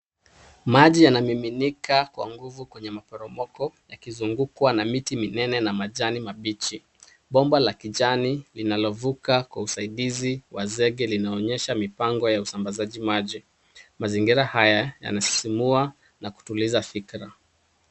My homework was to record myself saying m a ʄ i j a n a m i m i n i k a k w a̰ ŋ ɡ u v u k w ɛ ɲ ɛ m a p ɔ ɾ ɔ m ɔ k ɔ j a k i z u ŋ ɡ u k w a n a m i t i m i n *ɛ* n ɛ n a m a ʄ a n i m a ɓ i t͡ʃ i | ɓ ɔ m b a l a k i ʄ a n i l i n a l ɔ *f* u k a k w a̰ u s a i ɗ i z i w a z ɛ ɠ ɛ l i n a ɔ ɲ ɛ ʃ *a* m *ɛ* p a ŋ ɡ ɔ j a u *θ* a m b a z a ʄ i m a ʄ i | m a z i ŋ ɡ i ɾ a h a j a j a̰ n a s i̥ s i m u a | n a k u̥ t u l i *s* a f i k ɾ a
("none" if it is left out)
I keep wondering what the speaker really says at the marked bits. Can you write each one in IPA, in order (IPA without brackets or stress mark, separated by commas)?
ɛ, v, a, i, s, z